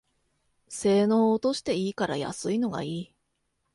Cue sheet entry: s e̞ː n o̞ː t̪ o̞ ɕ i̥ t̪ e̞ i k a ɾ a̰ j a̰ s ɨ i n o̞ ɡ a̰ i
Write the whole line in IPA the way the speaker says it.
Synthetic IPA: s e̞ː n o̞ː t̪ o̞ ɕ i̥ t̪ e̞ iː k a ɾ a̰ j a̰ s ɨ i n o̞ ɡ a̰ iː